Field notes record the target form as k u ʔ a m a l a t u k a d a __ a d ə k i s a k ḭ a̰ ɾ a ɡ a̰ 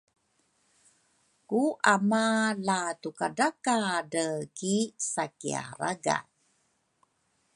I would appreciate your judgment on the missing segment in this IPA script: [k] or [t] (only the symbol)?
k